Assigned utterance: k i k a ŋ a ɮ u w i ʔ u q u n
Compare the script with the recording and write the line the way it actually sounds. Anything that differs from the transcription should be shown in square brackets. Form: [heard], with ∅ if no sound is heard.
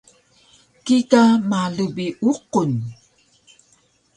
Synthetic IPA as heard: k i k a [m] a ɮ u [b] i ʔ u q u n